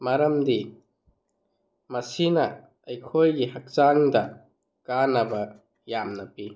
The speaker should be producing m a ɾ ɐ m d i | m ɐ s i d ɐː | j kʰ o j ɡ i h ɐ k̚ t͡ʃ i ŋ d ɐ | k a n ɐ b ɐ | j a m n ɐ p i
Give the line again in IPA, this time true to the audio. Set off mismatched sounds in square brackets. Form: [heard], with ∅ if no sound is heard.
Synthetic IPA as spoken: m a ɾ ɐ m d i | m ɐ s i [n] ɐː | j kʰ o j ɡ i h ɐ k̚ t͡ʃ [a] ŋ d ɐ | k a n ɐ b ɐ | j a m n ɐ p i

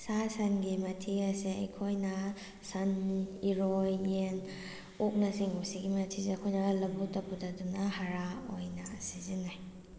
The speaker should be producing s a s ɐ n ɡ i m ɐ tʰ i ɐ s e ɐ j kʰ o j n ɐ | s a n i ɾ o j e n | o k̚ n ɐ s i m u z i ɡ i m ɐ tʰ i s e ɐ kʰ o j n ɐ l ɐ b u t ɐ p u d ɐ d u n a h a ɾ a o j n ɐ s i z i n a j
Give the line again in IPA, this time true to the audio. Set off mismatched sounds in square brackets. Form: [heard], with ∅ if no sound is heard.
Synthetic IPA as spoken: s a s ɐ n ɡ i m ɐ tʰ i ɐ s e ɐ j kʰ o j n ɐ | s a n i ɾ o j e n | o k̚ n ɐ s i [ŋ] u [s] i ɡ i m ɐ tʰ i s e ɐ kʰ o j n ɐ l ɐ b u t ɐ p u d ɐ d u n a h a ɾ a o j n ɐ s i z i n a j

